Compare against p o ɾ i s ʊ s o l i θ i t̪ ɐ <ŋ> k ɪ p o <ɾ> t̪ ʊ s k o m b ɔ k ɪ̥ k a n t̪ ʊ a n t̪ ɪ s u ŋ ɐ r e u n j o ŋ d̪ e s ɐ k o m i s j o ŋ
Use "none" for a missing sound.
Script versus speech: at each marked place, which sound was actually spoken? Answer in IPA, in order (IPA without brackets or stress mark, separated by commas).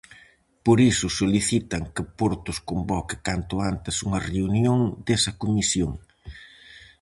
ŋ, ɾ